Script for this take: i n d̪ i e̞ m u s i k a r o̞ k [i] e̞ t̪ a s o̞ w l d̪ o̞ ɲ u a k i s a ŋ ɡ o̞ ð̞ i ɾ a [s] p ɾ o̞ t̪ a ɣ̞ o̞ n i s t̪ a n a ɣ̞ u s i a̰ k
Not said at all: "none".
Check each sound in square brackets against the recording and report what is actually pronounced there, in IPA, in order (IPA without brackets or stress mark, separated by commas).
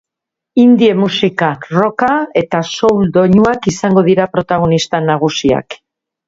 a, none